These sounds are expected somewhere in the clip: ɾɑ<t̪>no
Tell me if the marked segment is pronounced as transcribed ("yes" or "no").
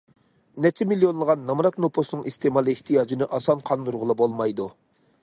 yes